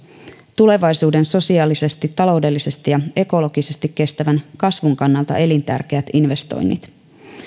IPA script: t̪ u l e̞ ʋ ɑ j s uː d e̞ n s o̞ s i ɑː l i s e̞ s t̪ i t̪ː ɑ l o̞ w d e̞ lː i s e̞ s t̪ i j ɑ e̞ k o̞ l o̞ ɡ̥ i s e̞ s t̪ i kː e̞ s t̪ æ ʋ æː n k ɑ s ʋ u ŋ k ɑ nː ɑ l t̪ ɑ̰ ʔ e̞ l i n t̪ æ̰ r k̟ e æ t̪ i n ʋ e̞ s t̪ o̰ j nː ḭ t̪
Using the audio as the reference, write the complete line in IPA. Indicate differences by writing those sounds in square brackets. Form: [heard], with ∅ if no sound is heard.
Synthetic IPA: t̪ u l e̞ ʋ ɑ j s uː d e̞ n s o̞ s i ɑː l i s e̞ s t̪ i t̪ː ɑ l o̞ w d e̞ lː i s e̞ s t̪ i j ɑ e̞ k o̞ l o̞ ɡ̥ i s e̞ s t̪ i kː e̞ s t̪ æ ʋ [æ] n k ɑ s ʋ u ŋ k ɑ nː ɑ l t̪ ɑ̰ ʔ e̞ l i n t̪ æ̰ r k̟ e æ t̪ i n ʋ e̞ s t̪ o̰ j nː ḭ t̪

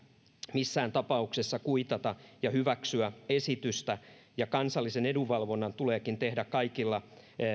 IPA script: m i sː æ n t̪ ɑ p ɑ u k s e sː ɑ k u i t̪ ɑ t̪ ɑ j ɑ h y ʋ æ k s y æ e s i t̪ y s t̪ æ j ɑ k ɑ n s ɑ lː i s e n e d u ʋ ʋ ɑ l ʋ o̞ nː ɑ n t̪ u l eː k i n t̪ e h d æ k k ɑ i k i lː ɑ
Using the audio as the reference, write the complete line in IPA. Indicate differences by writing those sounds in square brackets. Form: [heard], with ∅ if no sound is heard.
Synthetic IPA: m i sː [æː] n t̪ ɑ p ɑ u k s e sː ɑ k u i t̪ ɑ t̪ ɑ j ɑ h y ʋ æ k s y æ e s i t̪ y s t̪ æ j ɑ k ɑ n s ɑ lː i s e n e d u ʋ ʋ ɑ l ʋ o̞ nː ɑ n t̪ u l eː k i n t̪ e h d æ k k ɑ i k i lː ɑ

